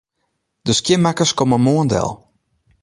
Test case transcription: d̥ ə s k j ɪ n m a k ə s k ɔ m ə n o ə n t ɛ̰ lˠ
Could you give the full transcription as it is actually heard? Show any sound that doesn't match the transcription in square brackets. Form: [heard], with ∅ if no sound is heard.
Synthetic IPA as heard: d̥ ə s k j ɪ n m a k ə s k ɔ m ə [m] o ə n [d] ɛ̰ lˠ